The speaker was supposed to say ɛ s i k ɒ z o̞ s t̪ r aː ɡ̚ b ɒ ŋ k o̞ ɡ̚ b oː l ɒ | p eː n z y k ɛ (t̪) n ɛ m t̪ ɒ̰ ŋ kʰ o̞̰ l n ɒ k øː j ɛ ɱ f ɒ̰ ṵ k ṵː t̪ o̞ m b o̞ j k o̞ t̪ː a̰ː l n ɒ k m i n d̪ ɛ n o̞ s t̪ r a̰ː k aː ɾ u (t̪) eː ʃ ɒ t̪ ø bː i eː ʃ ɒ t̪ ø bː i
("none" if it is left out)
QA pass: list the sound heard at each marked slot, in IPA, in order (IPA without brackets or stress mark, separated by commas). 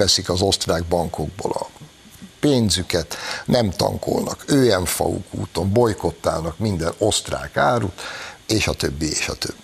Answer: t̪, t̪